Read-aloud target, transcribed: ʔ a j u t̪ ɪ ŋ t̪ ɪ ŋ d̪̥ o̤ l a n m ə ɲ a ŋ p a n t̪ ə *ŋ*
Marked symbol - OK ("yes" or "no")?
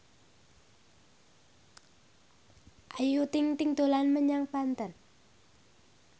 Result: no